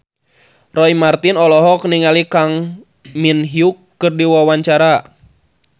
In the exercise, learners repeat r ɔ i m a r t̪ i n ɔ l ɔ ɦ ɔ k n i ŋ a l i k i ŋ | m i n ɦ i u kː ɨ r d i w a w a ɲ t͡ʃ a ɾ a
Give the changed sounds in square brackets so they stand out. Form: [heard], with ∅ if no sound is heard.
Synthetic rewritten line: r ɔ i m a r t̪ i n ɔ l ɔ ɦ ɔ k n i ŋ a l i k [a] ŋ | m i n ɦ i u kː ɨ r d i w a w a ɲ t͡ʃ a ɾ a